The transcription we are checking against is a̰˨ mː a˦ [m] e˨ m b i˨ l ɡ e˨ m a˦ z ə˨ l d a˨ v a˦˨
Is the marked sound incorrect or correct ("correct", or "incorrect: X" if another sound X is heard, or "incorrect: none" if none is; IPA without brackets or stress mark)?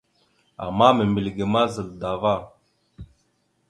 correct